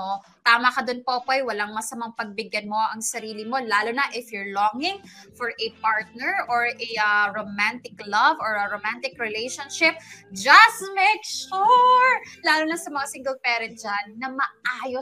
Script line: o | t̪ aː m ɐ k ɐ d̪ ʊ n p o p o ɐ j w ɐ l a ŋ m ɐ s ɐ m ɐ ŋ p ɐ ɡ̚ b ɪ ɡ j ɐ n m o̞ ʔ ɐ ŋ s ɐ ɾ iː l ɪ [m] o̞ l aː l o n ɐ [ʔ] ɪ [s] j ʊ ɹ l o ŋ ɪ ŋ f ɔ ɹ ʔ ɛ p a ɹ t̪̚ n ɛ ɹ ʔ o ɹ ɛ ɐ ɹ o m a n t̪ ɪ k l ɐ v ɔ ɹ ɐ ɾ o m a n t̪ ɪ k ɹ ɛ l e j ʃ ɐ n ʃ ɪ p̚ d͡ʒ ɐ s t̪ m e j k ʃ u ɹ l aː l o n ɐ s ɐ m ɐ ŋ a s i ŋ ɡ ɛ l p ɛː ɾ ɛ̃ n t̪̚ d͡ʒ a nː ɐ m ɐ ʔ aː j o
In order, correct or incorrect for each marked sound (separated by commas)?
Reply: correct, correct, incorrect